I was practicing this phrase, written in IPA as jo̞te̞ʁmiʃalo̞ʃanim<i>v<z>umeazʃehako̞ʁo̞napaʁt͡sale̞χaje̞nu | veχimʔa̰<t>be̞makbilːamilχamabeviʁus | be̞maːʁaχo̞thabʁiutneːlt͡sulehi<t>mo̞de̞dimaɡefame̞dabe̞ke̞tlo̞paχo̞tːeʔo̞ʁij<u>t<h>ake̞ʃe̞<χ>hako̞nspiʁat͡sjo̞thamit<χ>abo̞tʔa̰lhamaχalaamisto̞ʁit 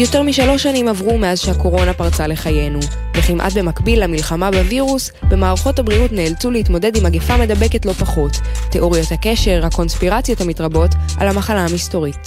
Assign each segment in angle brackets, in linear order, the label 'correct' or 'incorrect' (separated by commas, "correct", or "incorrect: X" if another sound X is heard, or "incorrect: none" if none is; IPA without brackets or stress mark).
incorrect: a, incorrect: ʁ, correct, correct, incorrect: o, correct, incorrect: ʁ, incorrect: ʁ